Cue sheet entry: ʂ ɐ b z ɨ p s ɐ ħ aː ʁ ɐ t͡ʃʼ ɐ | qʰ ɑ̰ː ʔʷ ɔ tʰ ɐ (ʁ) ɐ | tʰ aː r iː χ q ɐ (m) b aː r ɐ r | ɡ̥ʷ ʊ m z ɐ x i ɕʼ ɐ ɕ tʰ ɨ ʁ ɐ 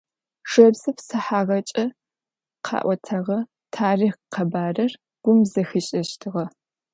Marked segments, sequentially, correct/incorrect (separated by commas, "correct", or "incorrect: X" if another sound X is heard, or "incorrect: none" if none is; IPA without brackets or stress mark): correct, incorrect: none